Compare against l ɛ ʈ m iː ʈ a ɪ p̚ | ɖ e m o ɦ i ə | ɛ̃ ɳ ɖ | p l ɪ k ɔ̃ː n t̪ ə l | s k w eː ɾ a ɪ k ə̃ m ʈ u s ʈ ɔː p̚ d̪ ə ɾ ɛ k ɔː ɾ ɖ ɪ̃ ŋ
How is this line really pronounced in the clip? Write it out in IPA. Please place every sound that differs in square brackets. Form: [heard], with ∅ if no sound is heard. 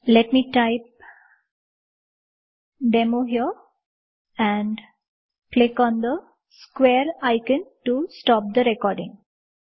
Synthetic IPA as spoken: l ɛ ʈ m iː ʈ a ɪ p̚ | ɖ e m o ɦ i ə | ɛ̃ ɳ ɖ | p l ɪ k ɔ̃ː n [d̪] ə [∅] | s k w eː ɾ a ɪ k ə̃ [n] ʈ u s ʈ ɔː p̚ d̪ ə ɾ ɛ k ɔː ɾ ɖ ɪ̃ ŋ